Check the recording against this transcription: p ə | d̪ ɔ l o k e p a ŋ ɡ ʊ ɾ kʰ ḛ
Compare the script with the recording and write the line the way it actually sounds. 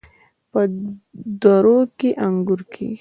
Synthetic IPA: p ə | d̪ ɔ ɾ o k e ʔ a ŋ ɡ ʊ ɾ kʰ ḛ